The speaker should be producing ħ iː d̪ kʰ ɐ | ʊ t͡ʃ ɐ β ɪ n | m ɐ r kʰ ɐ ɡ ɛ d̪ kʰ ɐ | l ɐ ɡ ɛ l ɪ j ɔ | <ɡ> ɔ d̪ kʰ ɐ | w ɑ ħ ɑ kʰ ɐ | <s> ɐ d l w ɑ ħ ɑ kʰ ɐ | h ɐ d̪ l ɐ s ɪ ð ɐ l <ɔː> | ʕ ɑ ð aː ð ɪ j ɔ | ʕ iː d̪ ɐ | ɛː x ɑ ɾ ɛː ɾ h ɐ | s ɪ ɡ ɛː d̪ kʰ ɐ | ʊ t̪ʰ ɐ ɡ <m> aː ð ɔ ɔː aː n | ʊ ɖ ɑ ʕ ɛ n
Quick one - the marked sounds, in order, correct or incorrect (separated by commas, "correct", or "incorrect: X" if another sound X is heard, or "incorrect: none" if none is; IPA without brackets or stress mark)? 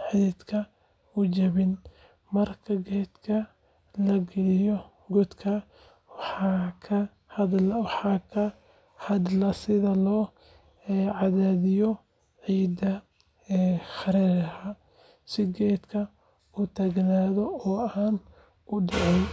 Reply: correct, incorrect: h, correct, incorrect: n